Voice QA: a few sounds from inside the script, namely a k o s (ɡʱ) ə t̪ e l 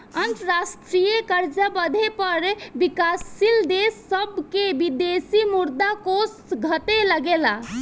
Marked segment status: correct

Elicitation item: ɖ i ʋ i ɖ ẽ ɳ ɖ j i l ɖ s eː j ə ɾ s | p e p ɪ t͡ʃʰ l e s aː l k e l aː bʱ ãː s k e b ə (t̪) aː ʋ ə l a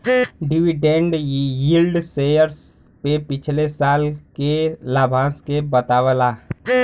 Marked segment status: correct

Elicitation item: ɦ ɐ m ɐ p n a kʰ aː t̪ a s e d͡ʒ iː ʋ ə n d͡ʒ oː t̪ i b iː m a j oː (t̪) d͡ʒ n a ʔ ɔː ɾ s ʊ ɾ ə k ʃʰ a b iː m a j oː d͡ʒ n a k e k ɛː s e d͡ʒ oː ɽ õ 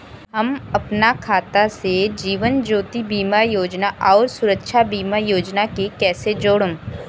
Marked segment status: incorrect: none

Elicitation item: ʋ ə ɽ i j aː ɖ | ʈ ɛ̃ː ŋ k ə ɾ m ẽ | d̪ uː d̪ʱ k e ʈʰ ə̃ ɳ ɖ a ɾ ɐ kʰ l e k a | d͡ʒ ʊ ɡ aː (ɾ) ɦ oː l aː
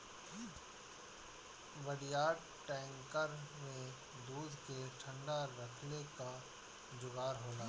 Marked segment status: correct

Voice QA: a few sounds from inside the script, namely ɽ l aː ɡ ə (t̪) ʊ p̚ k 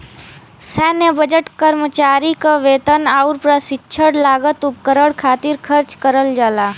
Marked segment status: correct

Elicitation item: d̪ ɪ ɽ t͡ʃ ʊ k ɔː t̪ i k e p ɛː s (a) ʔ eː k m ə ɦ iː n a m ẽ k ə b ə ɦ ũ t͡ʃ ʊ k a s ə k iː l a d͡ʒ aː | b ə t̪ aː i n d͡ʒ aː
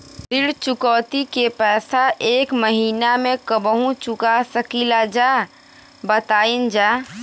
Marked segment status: correct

